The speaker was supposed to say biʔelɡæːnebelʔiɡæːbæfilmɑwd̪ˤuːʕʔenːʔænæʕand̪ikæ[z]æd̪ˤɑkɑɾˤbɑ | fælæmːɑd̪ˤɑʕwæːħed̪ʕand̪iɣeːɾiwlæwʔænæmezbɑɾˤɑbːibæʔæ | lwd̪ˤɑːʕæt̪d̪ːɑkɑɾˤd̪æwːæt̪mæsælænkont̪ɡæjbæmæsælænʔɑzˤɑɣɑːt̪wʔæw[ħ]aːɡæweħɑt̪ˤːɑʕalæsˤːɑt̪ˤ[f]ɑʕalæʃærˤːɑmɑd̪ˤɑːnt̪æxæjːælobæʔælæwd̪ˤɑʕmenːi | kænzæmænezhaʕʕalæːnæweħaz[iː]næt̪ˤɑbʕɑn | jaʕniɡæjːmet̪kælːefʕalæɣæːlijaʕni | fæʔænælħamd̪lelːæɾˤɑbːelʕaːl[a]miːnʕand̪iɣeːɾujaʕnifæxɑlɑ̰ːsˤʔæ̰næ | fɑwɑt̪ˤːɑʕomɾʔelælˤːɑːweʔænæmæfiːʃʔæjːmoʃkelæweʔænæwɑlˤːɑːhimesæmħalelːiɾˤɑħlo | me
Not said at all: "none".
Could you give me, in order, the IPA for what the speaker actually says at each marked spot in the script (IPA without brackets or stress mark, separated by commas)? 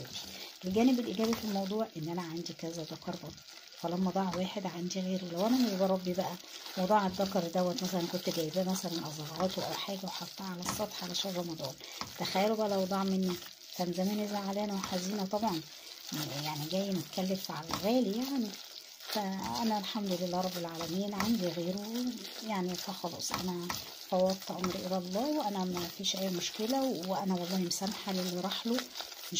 z, ħ, ħ, iː, æ